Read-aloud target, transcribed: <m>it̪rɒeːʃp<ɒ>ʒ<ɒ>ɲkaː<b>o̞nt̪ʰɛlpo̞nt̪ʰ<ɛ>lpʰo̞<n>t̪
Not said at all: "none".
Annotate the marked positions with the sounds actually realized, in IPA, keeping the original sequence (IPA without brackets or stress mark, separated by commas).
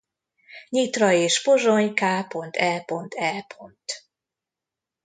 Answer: ɲ, o, o, p, ɛ, n